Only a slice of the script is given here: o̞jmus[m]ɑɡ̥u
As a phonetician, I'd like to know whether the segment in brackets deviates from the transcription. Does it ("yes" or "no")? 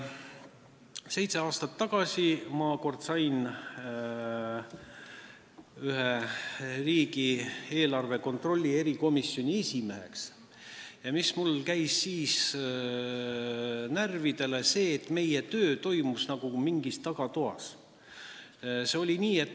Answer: yes